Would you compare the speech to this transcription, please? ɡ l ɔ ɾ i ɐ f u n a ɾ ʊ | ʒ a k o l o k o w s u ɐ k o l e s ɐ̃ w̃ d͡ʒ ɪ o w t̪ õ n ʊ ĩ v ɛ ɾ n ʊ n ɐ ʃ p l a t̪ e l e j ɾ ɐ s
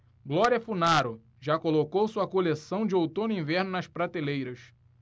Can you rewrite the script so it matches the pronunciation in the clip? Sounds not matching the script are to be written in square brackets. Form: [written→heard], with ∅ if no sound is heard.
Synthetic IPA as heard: ɡ l ɔ ɾ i ɐ f u n a ɾ ʊ | ʒ a k o l o k o w s u ɐ k o l e s ɐ̃ w̃ d͡ʒ ɪ o w t̪ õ n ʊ ĩ v ɛ ɾ n ʊ n ɐ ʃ p [l→ɾ] a t̪ e l e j ɾ ɐ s

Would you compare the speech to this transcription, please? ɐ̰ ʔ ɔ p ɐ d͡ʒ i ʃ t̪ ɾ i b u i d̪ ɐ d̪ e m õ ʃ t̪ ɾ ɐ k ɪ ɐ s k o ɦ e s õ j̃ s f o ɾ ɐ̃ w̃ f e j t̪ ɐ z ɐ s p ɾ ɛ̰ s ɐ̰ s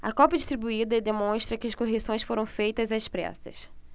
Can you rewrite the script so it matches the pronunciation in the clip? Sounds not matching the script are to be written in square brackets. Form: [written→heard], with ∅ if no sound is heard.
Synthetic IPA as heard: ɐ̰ [ʔ→k] ɔ p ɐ d͡ʒ i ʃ t̪ ɾ i b u i d̪ ɐ d̪ e m õ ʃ t̪ ɾ ɐ k ɪ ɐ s k o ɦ e s õ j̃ s f o ɾ ɐ̃ w̃ f e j t̪ ɐ z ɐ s p ɾ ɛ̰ s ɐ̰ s

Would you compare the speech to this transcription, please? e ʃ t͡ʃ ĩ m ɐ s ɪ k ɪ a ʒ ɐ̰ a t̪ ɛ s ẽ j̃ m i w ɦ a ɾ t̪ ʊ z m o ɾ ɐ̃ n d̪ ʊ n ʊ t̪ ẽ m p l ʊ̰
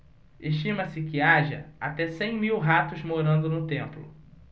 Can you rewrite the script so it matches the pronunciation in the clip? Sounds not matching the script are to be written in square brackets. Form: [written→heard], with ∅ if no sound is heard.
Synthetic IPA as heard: e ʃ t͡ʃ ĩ m ɐ s ɪ k ɪ a ʒ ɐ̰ a t̪ ɛ s ẽ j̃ m i w ɦ a [ɾ→∅] t̪ ʊ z m o ɾ ɐ̃ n d̪ ʊ n ʊ t̪ ẽ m p l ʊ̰

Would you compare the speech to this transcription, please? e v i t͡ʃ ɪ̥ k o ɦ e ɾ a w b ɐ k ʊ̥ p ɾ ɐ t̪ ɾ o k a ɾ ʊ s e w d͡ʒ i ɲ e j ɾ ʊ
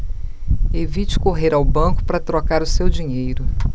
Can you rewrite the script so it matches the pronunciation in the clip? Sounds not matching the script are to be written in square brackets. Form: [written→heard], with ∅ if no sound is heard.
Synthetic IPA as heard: e v i t͡ʃ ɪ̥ k o ɦ e ɾ a w b [ɐ→ɐ̃] k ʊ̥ p ɾ ɐ t̪ ɾ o k a ɾ ʊ s e w d͡ʒ i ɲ e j ɾ ʊ

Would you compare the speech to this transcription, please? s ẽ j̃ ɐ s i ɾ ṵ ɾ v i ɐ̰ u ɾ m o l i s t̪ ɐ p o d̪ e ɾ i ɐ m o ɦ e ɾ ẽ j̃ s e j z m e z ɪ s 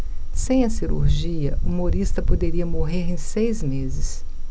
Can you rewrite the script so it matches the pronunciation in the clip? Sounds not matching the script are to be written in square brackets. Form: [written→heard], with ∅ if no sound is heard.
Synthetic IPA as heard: s ẽ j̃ ɐ s i ɾ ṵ ɾ [v→ʒ] i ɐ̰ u [ɾ→∅] m o [l→ɾ] i s t̪ ɐ p o d̪ e ɾ i ɐ m o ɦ e ɾ ẽ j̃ s e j z m e z ɪ s

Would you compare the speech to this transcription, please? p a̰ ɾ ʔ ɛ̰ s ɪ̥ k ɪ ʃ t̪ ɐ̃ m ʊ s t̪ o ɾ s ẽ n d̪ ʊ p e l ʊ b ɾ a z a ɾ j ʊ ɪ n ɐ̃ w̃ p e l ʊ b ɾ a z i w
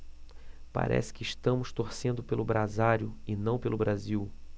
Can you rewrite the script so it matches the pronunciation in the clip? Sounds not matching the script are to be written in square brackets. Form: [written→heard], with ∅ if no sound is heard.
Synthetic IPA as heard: p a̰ ɾ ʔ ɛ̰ s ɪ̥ k ɪ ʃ t̪ ɐ̃ m ʊ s t̪ o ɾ s ẽ n d̪ ʊ p e l ʊ b ɾ a z a ɾ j ʊ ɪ n ɐ̃ w̃ p e l ʊ b ɾ a z i w

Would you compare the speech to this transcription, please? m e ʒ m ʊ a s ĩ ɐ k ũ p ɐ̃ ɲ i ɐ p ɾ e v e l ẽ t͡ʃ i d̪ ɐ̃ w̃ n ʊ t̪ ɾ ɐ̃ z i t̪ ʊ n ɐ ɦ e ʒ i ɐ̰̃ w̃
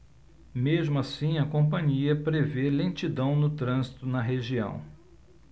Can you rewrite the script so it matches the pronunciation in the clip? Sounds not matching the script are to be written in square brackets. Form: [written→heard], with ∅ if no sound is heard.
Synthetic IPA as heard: m e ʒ m ʊ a s ĩ ɐ k [ũ→õ] p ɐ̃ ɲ i ɐ p ɾ e v e l ẽ t͡ʃ i d̪ ɐ̃ w̃ n ʊ t̪ ɾ ɐ̃ z i t̪ ʊ n ɐ ɦ e ʒ i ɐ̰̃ w̃

